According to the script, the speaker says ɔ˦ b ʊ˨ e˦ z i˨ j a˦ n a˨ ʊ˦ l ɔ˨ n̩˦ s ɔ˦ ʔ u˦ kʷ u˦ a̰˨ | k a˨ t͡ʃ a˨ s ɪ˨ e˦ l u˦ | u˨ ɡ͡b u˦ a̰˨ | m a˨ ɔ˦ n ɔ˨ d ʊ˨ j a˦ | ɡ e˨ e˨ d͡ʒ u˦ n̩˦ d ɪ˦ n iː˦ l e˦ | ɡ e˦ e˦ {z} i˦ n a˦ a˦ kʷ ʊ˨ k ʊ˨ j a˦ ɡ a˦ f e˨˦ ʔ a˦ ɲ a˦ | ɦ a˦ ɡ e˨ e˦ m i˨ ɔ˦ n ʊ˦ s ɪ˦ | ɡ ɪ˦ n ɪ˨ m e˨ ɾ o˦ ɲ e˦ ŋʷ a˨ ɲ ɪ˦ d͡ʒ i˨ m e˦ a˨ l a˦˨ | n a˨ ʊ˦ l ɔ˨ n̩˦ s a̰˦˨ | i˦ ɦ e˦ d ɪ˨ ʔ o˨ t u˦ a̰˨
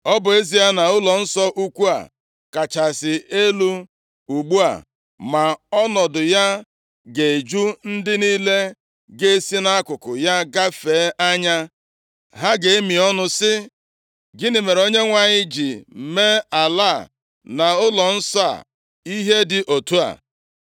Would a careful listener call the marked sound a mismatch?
yes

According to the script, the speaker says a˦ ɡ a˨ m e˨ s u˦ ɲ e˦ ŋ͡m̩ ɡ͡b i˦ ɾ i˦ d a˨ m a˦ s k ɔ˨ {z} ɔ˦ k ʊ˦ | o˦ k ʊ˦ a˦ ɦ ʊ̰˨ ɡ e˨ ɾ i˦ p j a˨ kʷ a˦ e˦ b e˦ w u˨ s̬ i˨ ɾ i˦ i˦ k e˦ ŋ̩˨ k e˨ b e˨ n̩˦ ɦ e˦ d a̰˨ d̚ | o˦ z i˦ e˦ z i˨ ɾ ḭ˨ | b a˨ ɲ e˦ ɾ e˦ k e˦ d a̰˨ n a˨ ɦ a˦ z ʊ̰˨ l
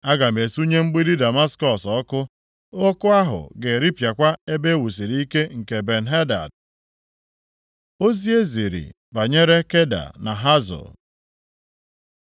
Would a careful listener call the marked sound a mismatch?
yes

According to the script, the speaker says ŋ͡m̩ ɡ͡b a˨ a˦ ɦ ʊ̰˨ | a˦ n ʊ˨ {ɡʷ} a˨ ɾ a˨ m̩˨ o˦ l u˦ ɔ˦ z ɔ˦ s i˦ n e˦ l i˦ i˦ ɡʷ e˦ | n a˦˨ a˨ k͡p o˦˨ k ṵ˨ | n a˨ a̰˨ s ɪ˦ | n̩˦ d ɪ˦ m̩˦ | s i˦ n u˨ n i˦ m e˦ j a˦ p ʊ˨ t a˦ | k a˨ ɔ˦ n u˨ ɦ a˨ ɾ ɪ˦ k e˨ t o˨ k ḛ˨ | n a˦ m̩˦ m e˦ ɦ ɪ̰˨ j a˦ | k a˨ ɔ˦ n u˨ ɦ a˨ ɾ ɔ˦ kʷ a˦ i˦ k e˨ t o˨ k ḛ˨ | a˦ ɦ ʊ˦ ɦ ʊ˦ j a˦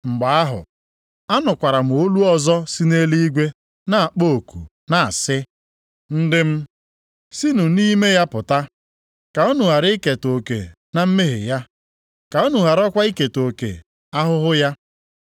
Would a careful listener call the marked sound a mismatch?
yes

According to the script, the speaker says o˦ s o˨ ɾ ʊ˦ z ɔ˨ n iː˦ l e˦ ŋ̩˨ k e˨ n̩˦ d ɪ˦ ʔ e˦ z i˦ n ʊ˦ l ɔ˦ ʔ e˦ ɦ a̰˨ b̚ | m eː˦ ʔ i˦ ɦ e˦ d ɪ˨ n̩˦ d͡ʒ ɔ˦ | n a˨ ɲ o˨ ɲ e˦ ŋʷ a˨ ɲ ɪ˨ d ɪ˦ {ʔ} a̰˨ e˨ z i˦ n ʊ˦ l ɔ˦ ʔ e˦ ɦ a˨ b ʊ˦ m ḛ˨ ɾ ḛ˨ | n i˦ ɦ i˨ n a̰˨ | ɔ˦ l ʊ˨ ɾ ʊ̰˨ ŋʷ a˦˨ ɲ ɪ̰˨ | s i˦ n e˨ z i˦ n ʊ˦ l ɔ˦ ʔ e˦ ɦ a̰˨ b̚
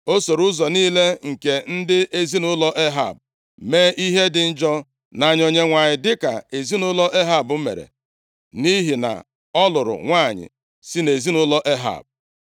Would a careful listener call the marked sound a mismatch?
yes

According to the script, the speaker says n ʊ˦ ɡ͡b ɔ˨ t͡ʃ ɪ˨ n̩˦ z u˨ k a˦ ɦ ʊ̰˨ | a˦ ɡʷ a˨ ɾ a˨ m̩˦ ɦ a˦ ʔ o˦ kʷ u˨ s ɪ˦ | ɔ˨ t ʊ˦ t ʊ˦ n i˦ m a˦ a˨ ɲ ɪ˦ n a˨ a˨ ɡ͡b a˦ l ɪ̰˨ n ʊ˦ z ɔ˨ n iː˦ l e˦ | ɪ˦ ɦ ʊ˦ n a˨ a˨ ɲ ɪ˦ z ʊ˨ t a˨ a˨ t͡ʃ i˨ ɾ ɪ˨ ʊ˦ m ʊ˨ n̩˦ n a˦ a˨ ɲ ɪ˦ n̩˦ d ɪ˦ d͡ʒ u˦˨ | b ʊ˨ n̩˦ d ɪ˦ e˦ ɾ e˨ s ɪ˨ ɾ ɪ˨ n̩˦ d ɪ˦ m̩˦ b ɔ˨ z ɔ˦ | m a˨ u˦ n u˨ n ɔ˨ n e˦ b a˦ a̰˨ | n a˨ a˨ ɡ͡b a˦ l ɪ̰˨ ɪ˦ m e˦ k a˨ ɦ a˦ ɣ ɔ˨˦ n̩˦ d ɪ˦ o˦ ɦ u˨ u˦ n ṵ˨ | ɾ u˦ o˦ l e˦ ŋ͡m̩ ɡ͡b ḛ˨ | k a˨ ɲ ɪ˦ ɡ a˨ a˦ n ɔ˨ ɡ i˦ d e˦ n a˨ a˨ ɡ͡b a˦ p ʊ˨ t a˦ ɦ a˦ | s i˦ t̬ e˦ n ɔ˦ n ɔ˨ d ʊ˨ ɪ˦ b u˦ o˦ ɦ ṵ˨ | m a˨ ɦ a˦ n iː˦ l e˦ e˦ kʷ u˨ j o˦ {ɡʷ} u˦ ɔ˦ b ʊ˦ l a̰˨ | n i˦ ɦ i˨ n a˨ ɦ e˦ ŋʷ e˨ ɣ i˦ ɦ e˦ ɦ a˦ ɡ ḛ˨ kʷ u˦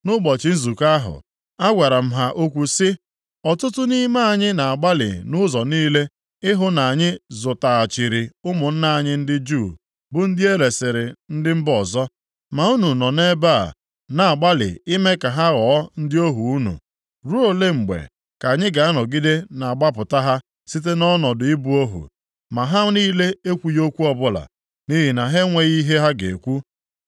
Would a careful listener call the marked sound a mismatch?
yes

